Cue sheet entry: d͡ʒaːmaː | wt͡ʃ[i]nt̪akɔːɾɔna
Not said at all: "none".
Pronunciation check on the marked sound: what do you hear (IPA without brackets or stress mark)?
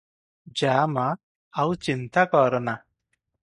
i